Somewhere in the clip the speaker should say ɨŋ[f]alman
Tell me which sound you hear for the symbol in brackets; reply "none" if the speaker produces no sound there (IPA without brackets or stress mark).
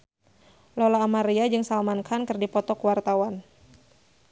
s